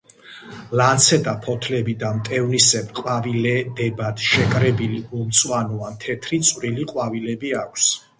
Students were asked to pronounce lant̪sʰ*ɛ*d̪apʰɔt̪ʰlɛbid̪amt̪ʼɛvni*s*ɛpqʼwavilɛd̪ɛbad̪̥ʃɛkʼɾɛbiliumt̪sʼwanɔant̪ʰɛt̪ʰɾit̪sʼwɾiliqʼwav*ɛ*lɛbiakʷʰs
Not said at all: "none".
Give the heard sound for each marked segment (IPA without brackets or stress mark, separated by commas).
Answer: ɛ, s, i